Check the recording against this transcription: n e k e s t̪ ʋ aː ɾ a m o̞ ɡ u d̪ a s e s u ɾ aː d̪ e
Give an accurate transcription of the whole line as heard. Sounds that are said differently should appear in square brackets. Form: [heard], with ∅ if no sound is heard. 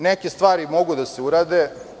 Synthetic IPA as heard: n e k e s t̪ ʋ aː ɾ [i] m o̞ ɡ u d̪ a s e [∅] u ɾ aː d̪ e